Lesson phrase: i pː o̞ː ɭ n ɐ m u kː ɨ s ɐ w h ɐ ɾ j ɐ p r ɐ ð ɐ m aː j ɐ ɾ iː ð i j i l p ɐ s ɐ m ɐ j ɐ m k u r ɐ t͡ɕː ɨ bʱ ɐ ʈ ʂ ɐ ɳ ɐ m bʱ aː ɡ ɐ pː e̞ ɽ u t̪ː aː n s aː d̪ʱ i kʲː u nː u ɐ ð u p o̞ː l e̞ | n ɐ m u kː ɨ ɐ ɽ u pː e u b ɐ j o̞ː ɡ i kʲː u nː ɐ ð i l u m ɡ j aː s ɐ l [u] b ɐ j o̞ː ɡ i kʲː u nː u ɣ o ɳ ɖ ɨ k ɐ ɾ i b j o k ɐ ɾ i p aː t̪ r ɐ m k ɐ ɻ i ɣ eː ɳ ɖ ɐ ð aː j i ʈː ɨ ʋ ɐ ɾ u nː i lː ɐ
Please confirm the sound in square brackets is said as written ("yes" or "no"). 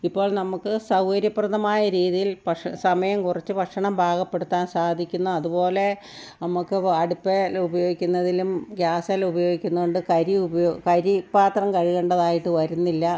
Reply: yes